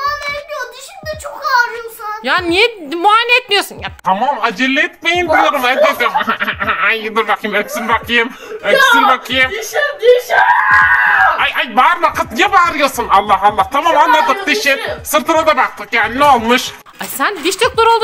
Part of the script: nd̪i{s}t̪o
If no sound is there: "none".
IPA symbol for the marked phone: ʃ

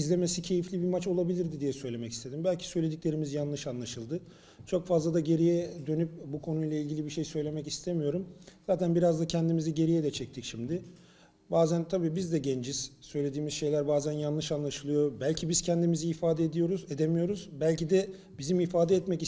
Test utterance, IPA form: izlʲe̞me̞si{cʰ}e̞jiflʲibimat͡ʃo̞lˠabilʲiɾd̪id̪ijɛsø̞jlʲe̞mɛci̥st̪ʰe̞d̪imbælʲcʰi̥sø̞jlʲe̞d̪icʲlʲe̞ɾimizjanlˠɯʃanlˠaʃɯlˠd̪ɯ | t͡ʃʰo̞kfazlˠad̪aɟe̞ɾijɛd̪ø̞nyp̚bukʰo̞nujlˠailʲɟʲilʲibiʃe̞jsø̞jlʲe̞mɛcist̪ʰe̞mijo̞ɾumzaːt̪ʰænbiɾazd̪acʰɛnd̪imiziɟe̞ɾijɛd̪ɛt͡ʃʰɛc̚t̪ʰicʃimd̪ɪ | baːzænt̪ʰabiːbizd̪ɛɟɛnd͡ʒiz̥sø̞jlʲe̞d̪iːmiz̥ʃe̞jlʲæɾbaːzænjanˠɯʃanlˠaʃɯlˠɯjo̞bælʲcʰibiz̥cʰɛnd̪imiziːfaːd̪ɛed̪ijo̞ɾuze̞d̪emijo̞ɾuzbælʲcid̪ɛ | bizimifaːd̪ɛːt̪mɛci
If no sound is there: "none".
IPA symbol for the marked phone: cʰ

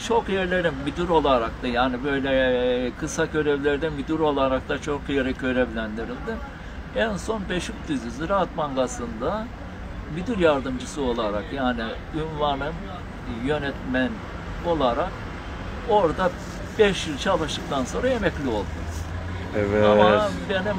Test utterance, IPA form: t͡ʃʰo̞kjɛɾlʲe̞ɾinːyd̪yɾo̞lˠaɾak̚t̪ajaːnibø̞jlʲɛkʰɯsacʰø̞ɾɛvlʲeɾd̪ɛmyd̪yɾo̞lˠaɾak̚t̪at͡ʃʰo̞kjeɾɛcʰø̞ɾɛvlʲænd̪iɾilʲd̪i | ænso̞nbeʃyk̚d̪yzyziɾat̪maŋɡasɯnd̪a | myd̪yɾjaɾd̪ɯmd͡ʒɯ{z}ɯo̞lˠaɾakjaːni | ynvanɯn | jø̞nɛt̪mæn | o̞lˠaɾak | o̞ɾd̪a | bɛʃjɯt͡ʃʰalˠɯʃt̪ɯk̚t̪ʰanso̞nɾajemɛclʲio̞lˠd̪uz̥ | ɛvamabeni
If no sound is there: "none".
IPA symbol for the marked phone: s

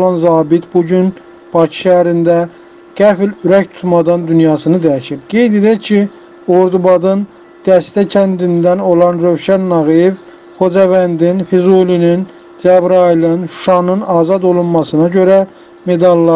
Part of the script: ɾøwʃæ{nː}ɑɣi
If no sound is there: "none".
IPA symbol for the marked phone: nː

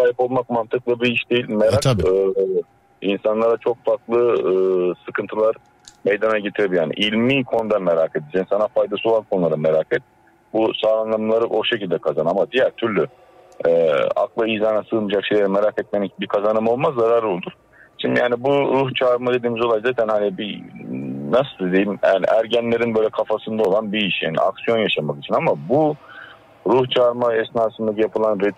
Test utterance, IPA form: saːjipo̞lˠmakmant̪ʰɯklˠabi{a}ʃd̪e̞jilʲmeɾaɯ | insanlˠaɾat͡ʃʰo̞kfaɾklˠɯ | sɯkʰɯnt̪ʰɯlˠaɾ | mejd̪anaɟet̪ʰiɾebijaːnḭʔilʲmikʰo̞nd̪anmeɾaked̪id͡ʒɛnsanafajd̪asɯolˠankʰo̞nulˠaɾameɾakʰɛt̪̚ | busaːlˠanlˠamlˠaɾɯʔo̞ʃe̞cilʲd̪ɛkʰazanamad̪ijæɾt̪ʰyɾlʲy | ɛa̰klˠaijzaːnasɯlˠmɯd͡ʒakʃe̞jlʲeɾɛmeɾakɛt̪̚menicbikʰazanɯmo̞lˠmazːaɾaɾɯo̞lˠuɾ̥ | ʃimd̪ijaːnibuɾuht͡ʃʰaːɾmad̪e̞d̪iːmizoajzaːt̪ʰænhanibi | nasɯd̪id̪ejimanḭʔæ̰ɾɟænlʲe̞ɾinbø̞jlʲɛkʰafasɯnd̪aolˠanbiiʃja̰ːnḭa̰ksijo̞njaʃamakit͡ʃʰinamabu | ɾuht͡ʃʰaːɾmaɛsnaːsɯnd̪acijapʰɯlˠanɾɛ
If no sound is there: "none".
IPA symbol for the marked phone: i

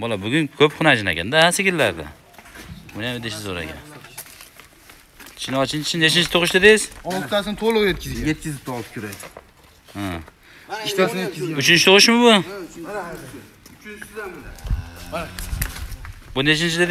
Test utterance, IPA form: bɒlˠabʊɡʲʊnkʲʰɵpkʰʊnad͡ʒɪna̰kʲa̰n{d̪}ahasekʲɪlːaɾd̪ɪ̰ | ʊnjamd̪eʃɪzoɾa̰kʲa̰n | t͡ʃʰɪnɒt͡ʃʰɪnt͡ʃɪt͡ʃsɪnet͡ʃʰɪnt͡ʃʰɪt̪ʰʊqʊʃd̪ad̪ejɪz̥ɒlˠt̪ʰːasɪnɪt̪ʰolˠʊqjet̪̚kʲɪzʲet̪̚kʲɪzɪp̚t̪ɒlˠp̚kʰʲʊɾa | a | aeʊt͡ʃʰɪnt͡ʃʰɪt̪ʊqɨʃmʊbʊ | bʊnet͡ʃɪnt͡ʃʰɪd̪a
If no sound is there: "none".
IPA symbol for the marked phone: d̪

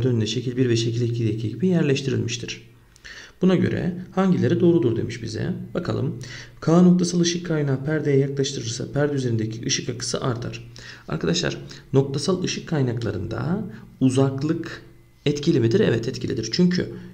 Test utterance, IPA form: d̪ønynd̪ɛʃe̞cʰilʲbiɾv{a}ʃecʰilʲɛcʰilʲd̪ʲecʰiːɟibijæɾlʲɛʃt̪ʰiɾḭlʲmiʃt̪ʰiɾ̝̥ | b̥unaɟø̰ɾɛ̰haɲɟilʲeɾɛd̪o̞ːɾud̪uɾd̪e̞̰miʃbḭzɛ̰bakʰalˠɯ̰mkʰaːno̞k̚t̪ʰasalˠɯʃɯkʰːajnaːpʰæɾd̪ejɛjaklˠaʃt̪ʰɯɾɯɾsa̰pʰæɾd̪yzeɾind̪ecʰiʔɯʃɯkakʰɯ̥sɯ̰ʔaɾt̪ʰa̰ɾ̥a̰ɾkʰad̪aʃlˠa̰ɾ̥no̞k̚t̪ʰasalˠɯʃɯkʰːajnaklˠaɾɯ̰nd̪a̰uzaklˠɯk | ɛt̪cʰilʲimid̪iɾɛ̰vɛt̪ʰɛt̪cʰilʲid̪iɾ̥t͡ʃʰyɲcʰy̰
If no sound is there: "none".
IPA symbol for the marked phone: ɛ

